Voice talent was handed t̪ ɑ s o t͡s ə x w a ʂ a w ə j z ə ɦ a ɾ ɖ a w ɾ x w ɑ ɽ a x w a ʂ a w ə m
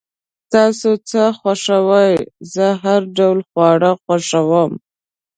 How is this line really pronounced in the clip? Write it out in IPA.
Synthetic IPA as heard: t̪ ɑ s o t͡s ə x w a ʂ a w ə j z ə ɦ a ɾ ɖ a w l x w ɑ ɽ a x w a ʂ a w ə m